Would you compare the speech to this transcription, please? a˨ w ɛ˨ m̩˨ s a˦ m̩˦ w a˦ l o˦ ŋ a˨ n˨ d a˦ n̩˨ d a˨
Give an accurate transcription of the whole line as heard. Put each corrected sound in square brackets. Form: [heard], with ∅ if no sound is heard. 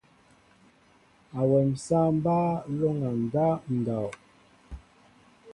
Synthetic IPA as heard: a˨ w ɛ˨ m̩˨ s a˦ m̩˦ [b] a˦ l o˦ ŋ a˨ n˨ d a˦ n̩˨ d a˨